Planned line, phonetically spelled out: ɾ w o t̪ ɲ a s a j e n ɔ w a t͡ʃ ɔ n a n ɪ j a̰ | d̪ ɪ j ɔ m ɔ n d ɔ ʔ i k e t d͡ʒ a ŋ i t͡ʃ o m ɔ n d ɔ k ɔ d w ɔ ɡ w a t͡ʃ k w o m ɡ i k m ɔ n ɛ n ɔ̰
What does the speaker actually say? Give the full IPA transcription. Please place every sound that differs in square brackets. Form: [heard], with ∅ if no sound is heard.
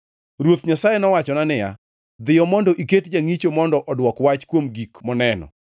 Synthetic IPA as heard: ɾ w o t̪ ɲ a s a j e n ɔ w a t͡ʃ ɔ n a n ɪ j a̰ | d̪ ɪ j ɔ m ɔ n d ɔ ʔ i k e t d͡ʒ a ŋ i t͡ʃ o m ɔ n d ɔ [ʔ] ɔ d w ɔ [k] w a t͡ʃ k w o m ɡ i k m ɔ n ɛ n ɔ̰